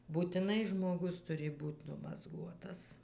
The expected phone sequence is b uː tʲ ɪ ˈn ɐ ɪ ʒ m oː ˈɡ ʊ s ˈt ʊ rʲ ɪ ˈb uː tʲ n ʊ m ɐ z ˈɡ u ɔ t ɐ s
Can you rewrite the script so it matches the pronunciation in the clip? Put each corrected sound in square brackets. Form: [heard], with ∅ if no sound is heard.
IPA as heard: b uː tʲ ɪ ˈn ɐ ɪ ʒ m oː ˈɡ ʊ s ˈt ʊ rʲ ɪ ˈb uː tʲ n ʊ m ɐ z ˈɡ u ɔ t ɐ s